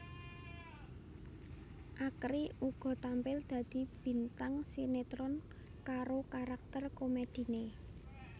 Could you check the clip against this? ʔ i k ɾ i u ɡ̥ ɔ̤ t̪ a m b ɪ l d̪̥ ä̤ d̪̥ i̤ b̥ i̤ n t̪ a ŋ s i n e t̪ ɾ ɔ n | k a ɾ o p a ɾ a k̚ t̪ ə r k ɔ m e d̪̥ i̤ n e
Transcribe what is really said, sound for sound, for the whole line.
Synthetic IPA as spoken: ʔ a k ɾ i u ɡ̥ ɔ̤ t̪ a m p ɪ l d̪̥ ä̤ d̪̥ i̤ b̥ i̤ n t̪ a ŋ s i n e t̪ ɾ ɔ n | k a ɾ o k a ɾ a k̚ t̪ ə r k o m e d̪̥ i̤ n e